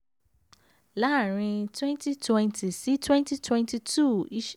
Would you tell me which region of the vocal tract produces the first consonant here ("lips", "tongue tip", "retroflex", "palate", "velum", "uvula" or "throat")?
tongue tip